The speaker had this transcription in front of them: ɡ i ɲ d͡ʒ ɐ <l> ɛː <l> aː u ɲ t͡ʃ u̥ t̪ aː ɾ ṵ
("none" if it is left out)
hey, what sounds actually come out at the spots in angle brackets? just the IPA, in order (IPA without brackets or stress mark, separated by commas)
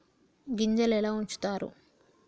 l, l